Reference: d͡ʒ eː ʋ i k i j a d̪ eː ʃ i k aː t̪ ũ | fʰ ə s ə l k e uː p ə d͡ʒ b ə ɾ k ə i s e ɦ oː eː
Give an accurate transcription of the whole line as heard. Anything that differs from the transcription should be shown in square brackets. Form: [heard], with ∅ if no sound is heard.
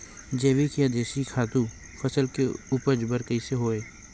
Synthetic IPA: d͡ʒ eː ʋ i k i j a d̪ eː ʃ i [kʰ] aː t̪ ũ | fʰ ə s ə l k e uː p ə d͡ʒ b ə ɾ k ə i s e ɦ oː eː